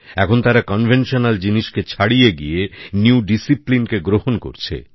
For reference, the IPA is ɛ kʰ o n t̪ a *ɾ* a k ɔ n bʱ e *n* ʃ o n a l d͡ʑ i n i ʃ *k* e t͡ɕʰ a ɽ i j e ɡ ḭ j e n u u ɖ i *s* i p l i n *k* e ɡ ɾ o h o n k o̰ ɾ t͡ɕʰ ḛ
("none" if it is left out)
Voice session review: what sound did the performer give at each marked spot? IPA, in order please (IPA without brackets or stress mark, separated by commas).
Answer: ɾ, n, k, s, k